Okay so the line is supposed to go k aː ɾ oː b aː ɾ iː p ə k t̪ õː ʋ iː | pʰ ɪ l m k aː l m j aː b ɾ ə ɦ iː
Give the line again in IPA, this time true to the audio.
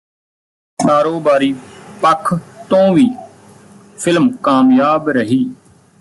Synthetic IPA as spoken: k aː ɾ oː b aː ɾ iː p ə kʰ t̪ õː ʋ iː | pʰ ɪ l m k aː m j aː b ɾ ə ɦ iː